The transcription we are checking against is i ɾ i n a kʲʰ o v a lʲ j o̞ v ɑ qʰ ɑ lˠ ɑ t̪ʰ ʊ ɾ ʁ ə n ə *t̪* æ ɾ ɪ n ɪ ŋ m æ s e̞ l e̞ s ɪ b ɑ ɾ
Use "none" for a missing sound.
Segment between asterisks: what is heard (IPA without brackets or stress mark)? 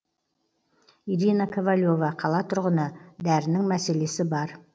d̪